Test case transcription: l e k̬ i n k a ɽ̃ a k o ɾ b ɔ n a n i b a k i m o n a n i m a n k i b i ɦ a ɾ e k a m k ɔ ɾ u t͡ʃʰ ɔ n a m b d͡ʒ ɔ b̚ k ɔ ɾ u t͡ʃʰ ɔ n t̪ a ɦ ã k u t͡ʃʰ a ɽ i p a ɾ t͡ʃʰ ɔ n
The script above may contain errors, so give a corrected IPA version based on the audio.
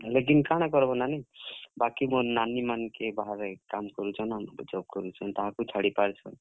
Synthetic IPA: l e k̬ i n k a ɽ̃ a k ɔ ɾ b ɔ n a n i b a k i m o n a n i m a n k e b a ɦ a ɾ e k a m k ɔ ɾ u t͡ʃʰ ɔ n a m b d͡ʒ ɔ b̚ k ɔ ɾ u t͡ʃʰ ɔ n t̪ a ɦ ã k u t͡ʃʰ a ɽ i p a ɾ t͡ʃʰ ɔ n